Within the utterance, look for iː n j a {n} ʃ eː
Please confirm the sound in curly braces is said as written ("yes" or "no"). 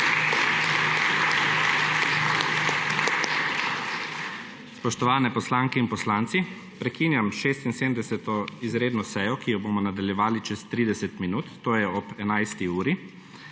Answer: no